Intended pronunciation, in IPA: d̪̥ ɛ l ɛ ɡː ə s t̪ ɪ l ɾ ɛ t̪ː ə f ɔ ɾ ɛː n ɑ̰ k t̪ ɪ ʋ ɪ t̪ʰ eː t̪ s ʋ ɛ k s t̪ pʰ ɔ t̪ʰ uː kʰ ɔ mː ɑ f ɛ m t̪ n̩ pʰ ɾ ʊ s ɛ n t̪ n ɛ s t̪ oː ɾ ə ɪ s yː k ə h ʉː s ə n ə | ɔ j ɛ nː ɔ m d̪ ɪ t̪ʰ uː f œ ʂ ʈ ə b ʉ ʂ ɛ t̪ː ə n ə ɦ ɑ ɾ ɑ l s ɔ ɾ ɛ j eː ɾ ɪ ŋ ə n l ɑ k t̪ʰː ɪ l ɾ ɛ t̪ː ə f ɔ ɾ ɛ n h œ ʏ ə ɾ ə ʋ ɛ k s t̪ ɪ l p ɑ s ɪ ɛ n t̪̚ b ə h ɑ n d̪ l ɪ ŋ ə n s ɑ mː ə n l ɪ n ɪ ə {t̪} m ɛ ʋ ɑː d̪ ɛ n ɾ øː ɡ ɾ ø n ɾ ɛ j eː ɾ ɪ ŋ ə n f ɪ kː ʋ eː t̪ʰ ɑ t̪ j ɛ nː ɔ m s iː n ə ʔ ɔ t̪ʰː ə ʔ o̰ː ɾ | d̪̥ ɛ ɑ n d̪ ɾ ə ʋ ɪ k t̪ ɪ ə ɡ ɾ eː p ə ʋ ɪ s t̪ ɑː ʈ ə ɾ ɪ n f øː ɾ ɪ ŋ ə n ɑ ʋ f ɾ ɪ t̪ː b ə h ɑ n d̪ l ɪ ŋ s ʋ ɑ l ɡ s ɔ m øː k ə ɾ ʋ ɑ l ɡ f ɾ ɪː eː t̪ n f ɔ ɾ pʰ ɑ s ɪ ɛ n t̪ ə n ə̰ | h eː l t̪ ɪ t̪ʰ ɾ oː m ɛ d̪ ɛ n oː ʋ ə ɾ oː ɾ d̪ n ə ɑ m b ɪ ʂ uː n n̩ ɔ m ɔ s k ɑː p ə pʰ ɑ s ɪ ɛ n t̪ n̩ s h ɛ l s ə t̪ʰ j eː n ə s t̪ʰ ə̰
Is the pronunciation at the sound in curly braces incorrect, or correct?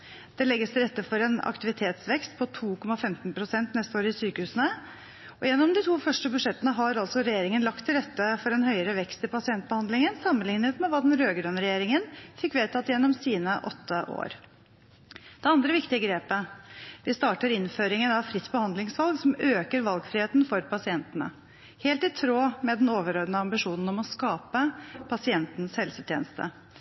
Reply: correct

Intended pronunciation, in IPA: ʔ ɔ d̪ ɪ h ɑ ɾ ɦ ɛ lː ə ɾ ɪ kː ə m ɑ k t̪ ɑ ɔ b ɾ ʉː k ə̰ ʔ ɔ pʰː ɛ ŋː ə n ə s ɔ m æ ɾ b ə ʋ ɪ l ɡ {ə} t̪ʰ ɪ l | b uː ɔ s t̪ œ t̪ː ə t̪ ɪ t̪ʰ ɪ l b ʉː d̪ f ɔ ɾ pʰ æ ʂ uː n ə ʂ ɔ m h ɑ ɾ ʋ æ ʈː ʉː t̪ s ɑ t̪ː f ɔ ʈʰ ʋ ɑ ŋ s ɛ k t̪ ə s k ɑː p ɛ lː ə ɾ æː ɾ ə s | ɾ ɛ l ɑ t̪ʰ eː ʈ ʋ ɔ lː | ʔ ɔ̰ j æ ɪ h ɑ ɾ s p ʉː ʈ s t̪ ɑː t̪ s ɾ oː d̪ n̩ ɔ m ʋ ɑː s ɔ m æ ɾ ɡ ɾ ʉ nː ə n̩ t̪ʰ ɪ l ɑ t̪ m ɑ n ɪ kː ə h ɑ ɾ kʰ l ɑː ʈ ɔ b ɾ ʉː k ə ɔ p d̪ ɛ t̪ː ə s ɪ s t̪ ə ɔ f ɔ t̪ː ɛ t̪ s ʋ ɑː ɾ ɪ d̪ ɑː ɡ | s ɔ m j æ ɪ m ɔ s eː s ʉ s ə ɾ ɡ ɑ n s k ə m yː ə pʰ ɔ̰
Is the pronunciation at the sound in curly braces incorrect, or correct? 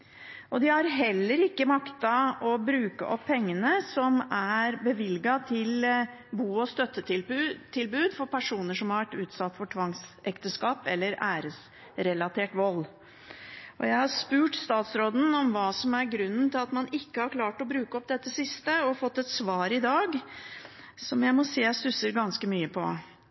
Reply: incorrect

